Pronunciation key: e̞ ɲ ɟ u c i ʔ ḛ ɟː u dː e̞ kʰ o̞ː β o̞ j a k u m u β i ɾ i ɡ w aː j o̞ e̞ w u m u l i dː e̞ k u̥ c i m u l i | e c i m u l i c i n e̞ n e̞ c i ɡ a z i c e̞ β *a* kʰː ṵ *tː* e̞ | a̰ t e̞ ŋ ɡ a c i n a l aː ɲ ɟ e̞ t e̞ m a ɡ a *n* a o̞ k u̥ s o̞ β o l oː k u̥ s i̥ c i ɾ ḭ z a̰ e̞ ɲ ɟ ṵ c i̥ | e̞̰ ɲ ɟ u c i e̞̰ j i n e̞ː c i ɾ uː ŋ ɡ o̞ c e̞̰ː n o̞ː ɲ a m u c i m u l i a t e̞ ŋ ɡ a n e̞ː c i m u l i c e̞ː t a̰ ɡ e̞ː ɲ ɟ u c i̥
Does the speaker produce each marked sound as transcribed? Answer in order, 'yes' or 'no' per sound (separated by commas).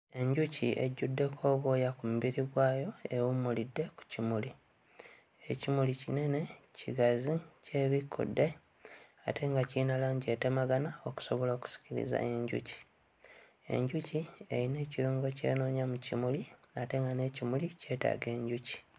no, no, yes